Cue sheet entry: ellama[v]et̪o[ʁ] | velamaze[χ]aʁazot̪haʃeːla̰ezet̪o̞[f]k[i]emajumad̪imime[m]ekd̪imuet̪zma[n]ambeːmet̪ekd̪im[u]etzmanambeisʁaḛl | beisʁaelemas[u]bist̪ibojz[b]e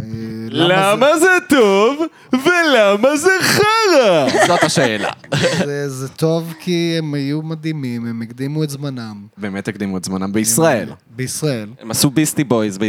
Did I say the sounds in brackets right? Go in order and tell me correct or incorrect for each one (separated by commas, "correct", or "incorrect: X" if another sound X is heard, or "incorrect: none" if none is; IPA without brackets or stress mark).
incorrect: z, incorrect: v, correct, incorrect: v, correct, correct, correct, correct, correct, correct